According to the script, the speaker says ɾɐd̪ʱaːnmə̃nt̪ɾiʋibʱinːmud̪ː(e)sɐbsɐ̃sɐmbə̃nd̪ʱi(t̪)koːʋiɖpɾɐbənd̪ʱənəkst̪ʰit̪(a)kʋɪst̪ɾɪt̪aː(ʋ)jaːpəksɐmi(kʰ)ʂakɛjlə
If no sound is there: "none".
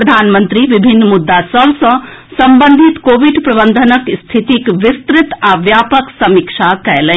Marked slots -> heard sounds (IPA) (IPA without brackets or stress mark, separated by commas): a, t̪, i, ʋ, k